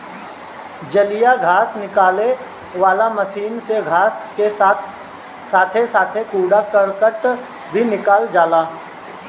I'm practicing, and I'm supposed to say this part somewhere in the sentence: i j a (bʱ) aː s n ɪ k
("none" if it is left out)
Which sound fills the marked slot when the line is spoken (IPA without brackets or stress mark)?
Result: ɡʱ